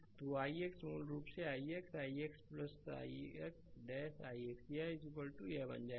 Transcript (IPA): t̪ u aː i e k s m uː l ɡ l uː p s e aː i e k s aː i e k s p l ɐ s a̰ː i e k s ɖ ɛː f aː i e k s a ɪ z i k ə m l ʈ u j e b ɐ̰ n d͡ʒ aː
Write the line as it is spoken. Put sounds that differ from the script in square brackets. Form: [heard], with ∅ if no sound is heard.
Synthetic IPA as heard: t̪ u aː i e k s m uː l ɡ [ɾ] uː p s e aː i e k s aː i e k s p l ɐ s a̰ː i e k s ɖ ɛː [s] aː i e k s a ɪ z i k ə [∅] l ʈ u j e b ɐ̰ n d͡ʒ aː